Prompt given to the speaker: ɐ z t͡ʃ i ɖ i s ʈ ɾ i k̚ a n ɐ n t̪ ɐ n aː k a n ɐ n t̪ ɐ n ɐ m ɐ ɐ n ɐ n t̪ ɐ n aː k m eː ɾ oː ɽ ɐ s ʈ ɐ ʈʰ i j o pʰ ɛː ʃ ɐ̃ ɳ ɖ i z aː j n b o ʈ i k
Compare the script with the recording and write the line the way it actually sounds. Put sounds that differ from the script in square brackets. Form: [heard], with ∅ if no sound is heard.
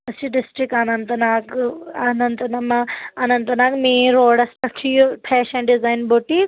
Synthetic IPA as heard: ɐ [s] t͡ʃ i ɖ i s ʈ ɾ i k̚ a n ɐ n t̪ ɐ n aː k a n ɐ n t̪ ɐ n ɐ m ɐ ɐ n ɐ n t̪ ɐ n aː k m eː ɾ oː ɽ ɐ s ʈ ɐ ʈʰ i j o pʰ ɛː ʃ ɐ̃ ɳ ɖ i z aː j n b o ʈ i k